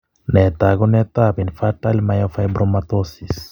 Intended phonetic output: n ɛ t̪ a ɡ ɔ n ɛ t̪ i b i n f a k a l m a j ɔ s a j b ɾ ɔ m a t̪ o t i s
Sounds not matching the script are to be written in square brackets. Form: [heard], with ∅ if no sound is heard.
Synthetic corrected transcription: n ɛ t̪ a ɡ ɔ n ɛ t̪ [a] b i n f a [t] a l m a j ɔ [f] a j b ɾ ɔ m a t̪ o [s] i s

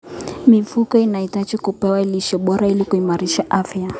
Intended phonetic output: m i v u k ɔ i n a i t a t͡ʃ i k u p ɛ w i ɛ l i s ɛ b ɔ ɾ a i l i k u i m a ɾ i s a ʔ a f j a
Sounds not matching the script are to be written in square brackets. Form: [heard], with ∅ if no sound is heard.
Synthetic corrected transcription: m i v u k ɔ i n a i t a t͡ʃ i k u p ɛ w [a] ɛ l i [ʃ] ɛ [ɓ] ɔ ɾ a i l i k u i m a ɾ i [ʃ] a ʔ a f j a

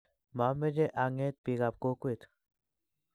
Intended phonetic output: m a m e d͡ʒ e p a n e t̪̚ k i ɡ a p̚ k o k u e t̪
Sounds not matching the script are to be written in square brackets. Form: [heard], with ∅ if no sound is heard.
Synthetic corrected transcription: m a m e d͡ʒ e [ʔ] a [ŋ] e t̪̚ [p] i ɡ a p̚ k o k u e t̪

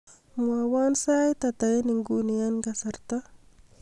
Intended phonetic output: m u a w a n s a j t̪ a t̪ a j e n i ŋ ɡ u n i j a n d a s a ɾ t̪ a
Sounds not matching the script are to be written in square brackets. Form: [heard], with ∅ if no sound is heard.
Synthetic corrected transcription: m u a w a n s a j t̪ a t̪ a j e n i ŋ ɡ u n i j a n [ɡ] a s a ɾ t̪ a

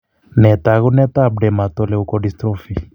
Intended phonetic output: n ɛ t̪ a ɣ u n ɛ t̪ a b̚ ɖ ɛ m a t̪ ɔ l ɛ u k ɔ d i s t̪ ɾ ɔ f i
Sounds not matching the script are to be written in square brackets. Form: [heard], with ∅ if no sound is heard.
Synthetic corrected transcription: n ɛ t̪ a ɣ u n ɛ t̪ a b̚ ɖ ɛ m a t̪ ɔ l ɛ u k ɔ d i s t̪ ɾ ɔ f i

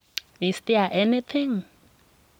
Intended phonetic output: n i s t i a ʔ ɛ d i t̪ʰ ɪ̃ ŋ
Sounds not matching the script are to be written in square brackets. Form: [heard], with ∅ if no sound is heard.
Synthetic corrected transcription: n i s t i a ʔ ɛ [n] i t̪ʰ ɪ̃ ŋ

